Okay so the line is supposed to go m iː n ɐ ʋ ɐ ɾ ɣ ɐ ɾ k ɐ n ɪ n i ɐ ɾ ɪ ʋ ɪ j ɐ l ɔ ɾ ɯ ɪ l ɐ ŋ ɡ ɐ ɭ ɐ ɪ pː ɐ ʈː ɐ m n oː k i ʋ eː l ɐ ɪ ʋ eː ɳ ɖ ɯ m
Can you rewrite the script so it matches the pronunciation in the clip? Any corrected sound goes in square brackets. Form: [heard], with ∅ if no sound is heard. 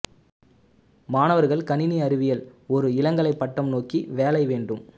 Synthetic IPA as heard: m [aː] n ɐ ʋ ɐ ɾ ɣ ɐ [ɭ] k ɐ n ɪ n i ɐ ɾ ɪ ʋ ɪ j ɐ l ɔ ɾ ɯ ɪ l ɐ ŋ ɡ ɐ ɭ ɐ ɪ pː ɐ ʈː ɐ m n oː k i ʋ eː l ɐ ɪ ʋ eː ɳ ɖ ɯ m